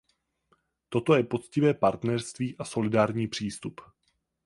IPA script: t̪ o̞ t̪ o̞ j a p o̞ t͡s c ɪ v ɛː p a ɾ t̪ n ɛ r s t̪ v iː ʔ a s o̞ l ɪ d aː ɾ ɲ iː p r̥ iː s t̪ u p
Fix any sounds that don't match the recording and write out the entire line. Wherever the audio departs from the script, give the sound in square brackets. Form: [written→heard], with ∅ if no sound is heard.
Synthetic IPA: t̪ o̞ t̪ o̞ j [a→ɛ] p o̞ t͡s c ɪ v ɛː p a ɾ t̪ n ɛ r s t̪ v iː ʔ a s o̞ l ɪ d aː ɾ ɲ iː p r̥ iː s t̪ u p